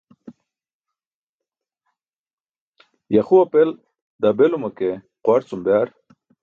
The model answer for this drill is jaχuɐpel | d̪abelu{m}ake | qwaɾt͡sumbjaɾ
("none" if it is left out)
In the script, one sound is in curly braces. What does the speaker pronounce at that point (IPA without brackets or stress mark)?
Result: m